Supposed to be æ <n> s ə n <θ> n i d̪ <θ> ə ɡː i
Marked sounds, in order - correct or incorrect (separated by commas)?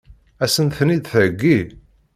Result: incorrect, correct, correct